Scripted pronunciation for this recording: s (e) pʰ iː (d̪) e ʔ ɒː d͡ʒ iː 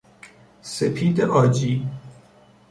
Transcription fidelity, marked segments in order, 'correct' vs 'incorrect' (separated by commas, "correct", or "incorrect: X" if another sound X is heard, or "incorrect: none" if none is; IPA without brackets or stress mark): correct, correct